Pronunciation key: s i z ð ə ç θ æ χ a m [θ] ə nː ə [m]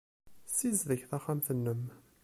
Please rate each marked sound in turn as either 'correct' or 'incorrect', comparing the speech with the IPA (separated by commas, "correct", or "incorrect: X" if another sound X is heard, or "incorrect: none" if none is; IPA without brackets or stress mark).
correct, correct